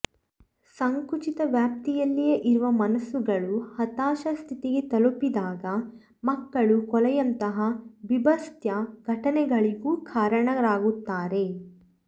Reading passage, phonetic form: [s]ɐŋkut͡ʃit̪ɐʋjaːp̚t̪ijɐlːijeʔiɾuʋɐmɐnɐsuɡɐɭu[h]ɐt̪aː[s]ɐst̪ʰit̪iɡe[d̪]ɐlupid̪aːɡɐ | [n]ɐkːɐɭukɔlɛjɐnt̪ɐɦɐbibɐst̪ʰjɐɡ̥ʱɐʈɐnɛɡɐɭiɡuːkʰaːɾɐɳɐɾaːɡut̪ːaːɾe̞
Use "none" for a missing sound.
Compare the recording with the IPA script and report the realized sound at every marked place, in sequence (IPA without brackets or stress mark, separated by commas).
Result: s, h, ʃ, t̪, m